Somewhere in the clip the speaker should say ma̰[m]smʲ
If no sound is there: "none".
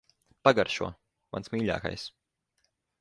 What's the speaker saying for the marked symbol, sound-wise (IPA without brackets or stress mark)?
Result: n